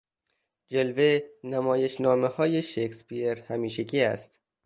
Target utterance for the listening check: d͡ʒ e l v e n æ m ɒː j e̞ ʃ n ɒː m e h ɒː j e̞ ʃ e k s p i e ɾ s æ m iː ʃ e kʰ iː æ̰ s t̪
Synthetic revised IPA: d͡ʒ e l v e n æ m ɒː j e̞ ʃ n ɒː m e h ɒː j e̞ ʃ e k s p i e ɾ h æ m iː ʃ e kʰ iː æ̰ s t̪